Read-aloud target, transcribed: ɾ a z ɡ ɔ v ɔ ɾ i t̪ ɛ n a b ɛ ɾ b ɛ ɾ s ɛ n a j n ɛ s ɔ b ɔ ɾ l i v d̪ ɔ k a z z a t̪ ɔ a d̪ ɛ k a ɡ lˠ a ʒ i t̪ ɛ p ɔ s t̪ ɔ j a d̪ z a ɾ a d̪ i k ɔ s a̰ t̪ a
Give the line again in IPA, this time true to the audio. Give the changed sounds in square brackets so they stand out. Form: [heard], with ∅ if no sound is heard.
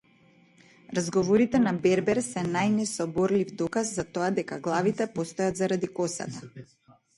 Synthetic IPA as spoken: ɾ a z ɡ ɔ v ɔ ɾ i t̪ ɛ n a b ɛ ɾ b ɛ ɾ s ɛ n a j n ɛ s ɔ b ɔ ɾ l i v d̪ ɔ k a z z a t̪ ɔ a d̪ ɛ k a ɡ lˠ a [v] i t̪ ɛ p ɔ s t̪ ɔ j a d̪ z a ɾ a d̪ i k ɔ s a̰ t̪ a